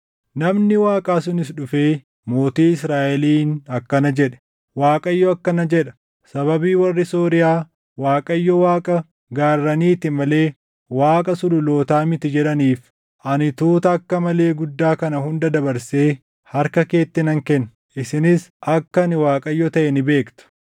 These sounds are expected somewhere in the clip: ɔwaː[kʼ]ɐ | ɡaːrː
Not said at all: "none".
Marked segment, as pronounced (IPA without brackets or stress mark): kʼ